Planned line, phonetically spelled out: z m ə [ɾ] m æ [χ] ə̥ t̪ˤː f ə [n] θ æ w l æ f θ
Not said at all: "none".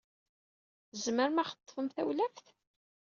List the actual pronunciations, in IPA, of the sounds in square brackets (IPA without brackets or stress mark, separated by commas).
ɾ, χ, m